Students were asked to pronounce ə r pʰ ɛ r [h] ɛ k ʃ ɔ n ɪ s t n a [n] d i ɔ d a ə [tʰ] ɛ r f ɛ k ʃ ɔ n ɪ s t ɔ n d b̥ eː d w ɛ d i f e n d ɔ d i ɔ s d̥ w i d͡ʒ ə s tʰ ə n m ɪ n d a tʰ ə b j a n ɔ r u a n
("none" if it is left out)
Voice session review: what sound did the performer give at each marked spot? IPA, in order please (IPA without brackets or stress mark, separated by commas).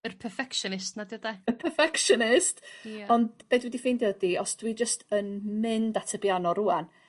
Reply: f, none, pʰ